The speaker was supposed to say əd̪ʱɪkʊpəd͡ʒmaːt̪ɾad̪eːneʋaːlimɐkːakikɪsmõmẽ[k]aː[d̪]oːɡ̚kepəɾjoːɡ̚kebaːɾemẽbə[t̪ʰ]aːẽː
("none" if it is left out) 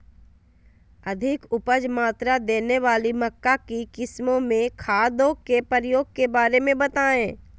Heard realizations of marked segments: kʰ, d̪, t̪

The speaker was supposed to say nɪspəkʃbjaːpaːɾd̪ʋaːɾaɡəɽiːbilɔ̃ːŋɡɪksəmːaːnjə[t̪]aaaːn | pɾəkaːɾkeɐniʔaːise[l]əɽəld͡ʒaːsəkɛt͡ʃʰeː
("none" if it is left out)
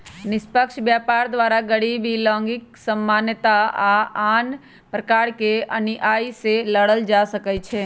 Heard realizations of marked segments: t̪, l

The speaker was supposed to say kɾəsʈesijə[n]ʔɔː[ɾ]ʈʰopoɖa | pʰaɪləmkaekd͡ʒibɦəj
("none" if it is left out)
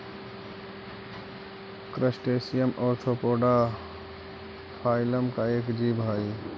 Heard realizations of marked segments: m, ɾ

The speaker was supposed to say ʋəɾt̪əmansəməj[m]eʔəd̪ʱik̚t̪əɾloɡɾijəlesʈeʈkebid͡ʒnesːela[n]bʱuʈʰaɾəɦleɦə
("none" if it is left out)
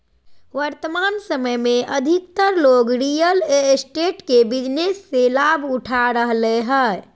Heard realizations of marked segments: m, none

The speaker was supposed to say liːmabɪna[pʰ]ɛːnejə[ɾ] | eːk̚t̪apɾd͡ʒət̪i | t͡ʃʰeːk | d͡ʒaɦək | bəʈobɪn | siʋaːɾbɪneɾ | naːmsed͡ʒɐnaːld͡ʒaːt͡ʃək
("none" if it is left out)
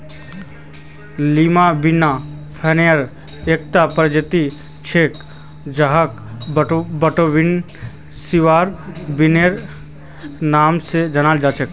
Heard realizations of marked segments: pʰ, ɾ

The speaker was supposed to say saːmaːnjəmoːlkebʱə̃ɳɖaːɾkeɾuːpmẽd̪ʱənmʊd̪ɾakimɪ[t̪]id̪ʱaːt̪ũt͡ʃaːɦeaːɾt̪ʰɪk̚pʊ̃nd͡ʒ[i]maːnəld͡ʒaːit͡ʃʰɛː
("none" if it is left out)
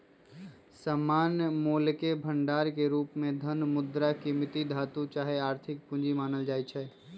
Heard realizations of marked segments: t̪, i

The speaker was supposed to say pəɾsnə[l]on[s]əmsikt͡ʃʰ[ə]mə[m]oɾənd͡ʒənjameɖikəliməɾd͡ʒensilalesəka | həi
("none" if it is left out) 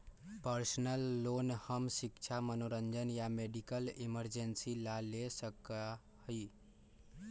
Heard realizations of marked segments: lː, h, a, n

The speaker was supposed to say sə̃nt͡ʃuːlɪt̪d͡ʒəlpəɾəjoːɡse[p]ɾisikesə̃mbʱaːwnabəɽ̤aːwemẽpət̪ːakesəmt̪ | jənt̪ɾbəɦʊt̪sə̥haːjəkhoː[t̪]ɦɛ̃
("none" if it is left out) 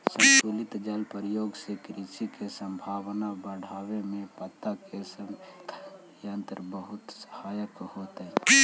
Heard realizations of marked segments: k, t̪

